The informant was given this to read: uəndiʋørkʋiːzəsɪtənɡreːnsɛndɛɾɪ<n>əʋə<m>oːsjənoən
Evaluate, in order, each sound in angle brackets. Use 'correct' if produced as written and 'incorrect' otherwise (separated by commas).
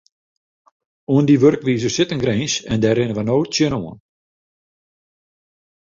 correct, incorrect